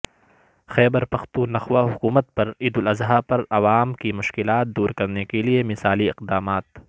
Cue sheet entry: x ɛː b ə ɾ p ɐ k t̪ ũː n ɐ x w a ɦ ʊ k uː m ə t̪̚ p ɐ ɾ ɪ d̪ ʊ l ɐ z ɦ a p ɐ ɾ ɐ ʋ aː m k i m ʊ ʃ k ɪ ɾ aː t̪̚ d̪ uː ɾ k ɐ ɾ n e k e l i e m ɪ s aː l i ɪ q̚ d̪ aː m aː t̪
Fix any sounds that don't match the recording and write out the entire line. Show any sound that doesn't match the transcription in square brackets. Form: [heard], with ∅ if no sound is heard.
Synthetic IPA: x ɛː b ə ɾ p ɐ [x] t̪ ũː n ɐ x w a ɦ ʊ k uː m ə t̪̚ p ɐ ɾ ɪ d̪ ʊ l ɐ z ɦ a p ɐ ɾ ɐ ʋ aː m k i m ʊ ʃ k ɪ [l] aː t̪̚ d̪ uː ɾ k ɐ ɾ n e k e l i e m ɪ s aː l i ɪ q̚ d̪ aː m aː t̪